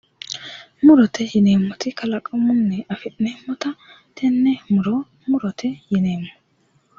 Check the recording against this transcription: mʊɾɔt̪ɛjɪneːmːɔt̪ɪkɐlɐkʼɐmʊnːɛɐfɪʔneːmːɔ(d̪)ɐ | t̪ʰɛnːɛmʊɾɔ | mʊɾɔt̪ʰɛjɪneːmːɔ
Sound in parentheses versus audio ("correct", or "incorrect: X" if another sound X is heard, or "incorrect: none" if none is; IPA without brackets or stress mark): incorrect: t̪